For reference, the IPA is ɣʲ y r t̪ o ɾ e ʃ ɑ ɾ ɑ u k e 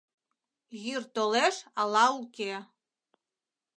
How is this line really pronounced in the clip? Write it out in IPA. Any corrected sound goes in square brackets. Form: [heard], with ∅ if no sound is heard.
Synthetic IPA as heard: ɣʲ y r t̪ o [l] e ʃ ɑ [l] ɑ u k e

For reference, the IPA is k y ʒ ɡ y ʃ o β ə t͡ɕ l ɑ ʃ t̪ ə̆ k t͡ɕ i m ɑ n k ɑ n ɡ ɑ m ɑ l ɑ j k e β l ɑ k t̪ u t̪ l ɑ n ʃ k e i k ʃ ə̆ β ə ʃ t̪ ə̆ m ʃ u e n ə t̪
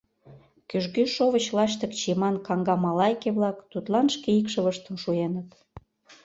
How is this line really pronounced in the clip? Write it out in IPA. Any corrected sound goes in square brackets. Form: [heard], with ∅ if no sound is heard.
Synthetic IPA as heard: k y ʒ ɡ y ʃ o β ə t͡ɕ l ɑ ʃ t̪ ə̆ k t͡ɕ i m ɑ n k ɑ [ŋ] ɡ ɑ m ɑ l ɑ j k e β l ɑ k t̪ u t̪ l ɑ n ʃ k e i k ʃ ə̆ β ə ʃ t̪ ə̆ m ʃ u e n ə t̪

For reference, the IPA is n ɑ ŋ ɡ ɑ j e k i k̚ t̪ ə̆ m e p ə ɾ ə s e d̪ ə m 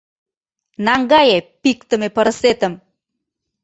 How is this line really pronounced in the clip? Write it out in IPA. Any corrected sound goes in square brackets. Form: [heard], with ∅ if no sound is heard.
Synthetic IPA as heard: n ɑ ŋ ɡ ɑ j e [p] i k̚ t̪ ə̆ m e p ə ɾ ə s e [t̪] ə m

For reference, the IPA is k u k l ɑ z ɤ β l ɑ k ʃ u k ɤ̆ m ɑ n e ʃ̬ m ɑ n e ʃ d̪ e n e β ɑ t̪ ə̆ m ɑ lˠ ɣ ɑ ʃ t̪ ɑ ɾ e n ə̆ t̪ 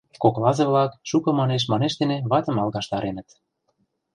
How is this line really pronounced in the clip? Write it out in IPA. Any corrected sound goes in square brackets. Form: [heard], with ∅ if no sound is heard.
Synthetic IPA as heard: k [o] k l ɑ z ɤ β l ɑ k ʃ u k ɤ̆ m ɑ n e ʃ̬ m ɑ n e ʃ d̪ e n e β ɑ t̪ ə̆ m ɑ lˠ ɣ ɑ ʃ t̪ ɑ ɾ e n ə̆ t̪

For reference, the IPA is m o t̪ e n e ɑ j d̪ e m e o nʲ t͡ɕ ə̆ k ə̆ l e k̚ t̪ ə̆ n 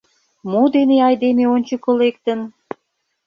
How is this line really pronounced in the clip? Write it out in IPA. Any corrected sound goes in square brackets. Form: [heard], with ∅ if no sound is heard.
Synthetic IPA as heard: m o [d̪] e n e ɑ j d̪ e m e o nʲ t͡ɕ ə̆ k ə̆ l e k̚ t̪ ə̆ n

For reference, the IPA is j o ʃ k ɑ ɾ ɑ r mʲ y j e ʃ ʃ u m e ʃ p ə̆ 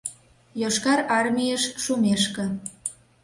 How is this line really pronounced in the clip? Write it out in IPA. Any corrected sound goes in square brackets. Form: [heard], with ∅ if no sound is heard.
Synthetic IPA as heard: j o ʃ k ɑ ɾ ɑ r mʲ [i] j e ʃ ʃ u m e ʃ [k] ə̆

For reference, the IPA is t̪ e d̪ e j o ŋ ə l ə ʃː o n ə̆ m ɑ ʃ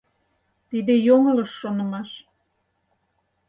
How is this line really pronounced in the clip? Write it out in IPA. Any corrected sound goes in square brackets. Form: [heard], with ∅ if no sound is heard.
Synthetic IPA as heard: t̪ [i] d̪ e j o ŋ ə l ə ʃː o n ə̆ m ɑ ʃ

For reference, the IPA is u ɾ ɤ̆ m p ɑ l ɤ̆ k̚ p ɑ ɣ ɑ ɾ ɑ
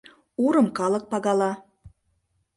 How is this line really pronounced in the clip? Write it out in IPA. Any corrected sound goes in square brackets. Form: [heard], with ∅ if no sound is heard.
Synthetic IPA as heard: u ɾ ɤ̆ m [k] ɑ l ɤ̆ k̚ p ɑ ɣ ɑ [l] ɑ

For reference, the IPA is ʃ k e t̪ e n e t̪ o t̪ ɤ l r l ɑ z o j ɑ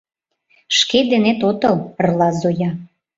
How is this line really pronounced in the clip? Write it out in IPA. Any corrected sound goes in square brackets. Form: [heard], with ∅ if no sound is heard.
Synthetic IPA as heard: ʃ k e [d̪] e n e t̪ o t̪ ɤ l r l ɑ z o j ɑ

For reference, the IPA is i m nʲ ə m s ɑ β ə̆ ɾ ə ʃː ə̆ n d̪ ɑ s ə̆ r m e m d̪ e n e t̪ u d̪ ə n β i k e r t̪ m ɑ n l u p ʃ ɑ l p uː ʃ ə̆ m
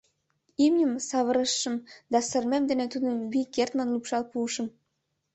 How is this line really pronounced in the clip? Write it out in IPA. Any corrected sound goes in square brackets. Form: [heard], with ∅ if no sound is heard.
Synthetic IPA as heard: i m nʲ ə m s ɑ β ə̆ ɾ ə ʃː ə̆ [m] d̪ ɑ s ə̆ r m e m d̪ e n e t̪ u d̪ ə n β i k e r t̪ m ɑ n l u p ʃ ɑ l p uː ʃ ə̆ m

